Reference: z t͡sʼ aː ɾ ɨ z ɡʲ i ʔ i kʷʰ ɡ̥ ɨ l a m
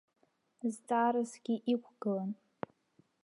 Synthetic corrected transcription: z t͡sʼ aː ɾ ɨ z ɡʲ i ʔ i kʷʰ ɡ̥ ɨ l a n

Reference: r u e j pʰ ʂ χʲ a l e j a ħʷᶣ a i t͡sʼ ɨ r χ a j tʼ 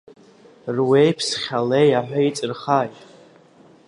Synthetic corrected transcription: r w e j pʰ s χʲ a l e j a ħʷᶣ a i t͡sʼ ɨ r χ a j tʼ

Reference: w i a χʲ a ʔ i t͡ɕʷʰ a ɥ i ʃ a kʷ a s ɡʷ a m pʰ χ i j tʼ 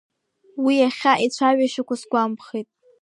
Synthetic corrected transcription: w i a χʲ a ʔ i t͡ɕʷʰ a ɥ a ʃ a kʷ a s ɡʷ a m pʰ χ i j tʼ

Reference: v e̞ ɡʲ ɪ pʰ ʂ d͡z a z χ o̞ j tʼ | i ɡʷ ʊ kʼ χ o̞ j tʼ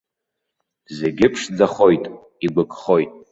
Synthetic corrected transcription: z e̞ ɡʲ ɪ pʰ ʂ d͡z a χ o̞ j tʼ | i ɡʷ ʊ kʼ χ o̞ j tʼ

